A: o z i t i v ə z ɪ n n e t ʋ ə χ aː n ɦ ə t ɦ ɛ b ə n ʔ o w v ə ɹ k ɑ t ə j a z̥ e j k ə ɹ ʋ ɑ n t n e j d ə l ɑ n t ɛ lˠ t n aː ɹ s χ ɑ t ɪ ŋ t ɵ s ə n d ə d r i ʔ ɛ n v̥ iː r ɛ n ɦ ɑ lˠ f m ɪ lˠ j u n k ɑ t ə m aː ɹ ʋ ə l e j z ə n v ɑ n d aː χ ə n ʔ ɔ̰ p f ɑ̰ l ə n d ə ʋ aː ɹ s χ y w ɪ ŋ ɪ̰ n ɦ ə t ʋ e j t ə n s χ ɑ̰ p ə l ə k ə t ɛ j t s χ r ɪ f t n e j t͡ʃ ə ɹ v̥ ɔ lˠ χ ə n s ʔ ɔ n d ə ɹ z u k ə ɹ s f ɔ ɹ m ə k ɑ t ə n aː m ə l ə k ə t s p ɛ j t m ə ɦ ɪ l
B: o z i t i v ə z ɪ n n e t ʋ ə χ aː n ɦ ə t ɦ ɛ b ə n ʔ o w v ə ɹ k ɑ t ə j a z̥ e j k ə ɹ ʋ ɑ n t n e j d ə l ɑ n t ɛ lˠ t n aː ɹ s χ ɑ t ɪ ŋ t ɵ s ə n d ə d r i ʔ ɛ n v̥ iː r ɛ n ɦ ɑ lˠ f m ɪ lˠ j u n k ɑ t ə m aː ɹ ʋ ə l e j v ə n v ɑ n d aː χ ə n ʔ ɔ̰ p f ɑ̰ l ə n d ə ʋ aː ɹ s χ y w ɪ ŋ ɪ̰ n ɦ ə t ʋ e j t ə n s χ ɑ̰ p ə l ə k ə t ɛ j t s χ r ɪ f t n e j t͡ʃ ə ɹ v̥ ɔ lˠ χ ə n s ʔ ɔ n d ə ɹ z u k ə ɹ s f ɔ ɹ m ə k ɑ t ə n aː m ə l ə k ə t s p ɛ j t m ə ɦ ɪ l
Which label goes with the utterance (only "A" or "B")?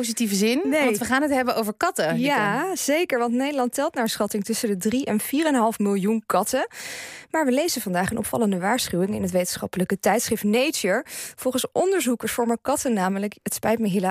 A